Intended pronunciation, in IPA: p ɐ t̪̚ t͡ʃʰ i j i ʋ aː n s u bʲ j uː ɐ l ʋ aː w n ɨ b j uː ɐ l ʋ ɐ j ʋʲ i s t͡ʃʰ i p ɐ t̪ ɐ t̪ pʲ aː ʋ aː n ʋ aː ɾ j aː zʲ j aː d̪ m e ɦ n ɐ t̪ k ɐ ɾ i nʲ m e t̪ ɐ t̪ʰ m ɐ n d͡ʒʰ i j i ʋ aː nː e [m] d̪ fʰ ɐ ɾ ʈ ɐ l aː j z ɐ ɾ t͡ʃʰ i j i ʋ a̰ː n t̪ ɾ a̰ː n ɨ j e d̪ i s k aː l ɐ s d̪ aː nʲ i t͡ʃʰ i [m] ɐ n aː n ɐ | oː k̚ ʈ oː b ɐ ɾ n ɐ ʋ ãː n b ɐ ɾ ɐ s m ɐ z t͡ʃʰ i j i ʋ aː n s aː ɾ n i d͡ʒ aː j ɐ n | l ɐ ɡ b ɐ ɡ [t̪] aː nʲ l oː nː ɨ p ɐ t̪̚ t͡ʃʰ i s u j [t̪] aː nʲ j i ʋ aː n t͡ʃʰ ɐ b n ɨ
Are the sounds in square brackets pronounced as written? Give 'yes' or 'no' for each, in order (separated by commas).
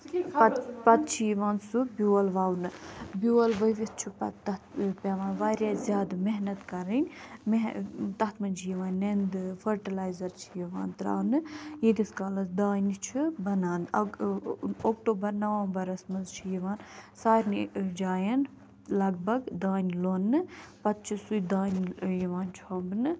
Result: no, no, no, no